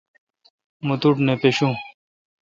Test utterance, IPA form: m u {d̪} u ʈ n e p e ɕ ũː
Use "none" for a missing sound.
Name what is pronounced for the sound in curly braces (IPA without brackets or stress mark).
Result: t̪